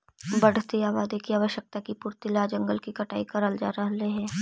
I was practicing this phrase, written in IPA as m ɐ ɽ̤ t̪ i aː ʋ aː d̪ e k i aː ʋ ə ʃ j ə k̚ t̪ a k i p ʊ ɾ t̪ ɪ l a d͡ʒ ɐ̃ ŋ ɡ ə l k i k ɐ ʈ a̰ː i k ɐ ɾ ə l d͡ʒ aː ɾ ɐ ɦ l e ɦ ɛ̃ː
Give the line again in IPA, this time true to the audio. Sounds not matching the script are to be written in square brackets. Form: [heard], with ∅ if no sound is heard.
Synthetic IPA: [b] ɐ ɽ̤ t̪ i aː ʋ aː d̪ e k i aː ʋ ə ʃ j ə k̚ t̪ a k i p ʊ ɾ t̪ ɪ l a d͡ʒ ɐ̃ ŋ ɡ ə l k i k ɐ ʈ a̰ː i k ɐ ɾ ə l d͡ʒ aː ɾ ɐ ɦ l e ɦ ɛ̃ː